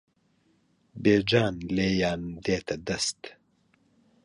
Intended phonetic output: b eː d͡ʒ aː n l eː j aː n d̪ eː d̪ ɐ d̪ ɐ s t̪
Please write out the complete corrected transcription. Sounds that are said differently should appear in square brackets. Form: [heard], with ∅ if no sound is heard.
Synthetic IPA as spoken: b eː d͡ʒ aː n l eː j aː n d̪ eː [t̪] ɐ d̪ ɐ s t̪